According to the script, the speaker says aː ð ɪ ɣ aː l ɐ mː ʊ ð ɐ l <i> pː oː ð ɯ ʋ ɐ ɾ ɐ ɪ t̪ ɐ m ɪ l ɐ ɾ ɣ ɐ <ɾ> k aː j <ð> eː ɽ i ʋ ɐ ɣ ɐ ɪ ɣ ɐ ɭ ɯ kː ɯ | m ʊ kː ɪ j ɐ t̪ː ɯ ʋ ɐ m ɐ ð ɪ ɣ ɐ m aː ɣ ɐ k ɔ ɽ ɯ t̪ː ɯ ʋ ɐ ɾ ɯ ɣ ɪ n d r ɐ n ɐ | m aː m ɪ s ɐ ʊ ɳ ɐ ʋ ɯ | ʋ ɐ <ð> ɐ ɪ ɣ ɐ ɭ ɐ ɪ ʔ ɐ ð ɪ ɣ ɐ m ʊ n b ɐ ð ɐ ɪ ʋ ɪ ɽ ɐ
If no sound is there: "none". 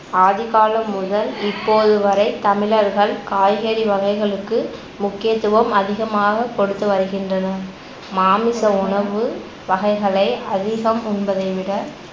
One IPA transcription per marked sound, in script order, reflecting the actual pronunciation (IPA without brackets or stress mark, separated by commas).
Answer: ɪ, ɭ, ɣ, ɣ